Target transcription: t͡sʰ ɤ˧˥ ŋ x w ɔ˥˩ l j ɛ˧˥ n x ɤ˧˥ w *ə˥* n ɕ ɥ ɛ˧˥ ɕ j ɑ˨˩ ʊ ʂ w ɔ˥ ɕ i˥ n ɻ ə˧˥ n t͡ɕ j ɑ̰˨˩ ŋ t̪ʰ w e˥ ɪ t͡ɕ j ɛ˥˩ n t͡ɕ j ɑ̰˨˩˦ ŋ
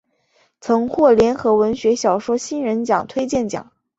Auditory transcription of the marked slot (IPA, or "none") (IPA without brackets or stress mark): ə˧˥